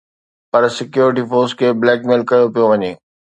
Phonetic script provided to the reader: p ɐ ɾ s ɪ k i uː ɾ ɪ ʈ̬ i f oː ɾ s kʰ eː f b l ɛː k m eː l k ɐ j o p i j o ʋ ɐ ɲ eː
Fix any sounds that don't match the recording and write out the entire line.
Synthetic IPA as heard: p ɐ ɾ s ɪ k j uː ɾ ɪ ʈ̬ i f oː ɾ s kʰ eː b l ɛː k m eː l k ɐ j o p i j o ʋ ɐ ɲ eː